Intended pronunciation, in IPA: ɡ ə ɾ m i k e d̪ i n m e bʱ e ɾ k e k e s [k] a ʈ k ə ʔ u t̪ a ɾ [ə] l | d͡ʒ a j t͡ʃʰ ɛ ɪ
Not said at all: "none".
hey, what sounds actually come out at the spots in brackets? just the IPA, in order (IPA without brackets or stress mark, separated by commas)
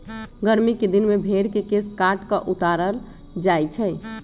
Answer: k, ə